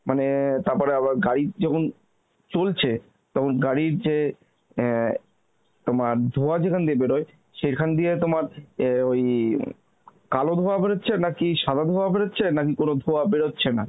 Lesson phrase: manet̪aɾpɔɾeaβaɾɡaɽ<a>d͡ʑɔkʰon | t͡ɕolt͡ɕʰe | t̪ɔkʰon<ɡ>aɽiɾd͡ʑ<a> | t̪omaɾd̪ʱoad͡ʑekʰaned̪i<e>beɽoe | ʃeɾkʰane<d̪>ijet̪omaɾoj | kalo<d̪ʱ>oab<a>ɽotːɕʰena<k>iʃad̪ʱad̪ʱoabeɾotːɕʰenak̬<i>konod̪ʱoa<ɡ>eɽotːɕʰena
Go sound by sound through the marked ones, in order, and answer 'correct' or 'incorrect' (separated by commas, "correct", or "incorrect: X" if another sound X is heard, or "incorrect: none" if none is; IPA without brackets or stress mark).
incorrect: i, correct, incorrect: e, correct, correct, correct, incorrect: e, correct, correct, incorrect: b